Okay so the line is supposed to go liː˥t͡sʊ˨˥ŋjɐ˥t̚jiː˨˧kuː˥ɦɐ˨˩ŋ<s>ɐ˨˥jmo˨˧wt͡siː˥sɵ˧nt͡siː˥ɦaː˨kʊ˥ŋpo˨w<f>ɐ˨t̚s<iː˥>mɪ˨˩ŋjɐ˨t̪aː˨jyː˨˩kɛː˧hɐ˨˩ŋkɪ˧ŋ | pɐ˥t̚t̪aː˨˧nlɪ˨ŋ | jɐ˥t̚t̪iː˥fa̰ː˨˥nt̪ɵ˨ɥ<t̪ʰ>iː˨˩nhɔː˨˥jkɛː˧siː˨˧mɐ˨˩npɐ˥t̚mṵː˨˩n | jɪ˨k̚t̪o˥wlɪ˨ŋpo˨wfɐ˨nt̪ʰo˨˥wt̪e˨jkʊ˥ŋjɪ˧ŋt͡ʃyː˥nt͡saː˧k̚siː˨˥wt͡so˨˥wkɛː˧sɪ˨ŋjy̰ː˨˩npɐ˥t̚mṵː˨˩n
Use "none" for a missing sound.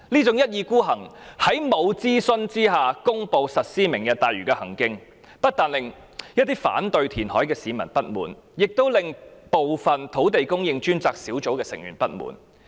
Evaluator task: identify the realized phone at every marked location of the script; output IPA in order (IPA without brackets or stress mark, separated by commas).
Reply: h, s, iː˥, t̪ʰ